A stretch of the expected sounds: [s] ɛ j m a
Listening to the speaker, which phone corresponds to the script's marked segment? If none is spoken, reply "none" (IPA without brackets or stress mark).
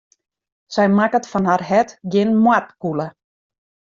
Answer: s